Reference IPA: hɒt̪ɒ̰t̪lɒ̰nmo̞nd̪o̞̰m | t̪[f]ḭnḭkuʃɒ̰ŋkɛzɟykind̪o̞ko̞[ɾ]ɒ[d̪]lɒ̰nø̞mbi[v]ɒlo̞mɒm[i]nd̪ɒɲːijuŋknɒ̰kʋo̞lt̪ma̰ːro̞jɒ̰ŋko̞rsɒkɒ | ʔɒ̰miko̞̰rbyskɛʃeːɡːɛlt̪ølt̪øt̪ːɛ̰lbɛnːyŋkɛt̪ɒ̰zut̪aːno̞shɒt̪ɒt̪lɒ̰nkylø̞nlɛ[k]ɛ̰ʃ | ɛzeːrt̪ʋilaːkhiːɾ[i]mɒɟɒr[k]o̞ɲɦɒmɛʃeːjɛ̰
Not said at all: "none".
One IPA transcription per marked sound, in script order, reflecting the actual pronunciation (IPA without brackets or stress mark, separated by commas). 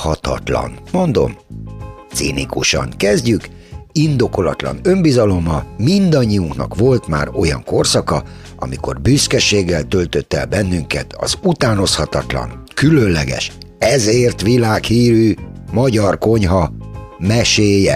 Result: s, l, t̪, z, i, ɡ, y, k